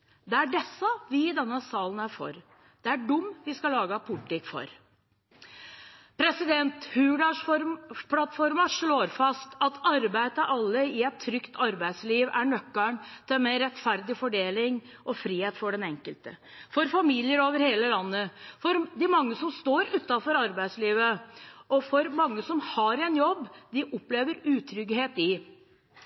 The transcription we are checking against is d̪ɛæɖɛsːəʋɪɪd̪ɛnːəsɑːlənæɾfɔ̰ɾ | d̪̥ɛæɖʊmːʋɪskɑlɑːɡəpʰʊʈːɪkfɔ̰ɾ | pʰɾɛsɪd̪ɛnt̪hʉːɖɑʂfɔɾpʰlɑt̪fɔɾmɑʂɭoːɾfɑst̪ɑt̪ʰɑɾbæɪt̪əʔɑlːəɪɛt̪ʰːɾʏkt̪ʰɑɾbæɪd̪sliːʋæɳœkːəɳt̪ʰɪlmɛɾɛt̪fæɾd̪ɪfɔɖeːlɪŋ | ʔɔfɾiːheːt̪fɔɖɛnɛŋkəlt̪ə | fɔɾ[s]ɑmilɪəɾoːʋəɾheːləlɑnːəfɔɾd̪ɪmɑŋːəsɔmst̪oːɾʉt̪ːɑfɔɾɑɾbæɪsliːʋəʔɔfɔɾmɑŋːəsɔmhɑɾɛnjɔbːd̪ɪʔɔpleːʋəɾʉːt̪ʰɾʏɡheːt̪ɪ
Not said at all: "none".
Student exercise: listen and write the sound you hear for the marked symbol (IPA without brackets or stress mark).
f